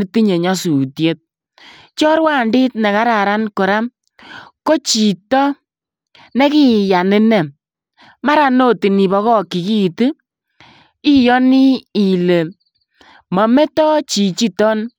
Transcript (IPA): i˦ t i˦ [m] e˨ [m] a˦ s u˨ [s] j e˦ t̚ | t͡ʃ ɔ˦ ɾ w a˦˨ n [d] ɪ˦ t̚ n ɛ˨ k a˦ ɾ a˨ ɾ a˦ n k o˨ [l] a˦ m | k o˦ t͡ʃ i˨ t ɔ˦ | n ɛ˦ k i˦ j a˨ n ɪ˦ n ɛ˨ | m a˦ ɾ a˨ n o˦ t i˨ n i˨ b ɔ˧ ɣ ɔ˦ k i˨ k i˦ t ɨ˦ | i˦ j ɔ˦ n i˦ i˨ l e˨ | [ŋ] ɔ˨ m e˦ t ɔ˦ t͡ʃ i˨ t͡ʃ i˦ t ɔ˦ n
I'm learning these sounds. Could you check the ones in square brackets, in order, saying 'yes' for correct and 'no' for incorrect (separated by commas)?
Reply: no, no, no, yes, no, no